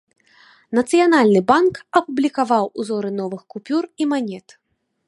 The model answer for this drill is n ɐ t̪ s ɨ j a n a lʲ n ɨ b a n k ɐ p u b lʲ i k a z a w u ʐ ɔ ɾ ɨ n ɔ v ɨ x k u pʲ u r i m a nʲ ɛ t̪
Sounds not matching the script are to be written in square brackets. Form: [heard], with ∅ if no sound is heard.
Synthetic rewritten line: n ɐ t̪ s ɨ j a n a lʲ n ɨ b a n k ɐ p u b lʲ i k a [v] a w u [z] ɔ ɾ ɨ n ɔ v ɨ x k u pʲ u r i m a nʲ ɛ t̪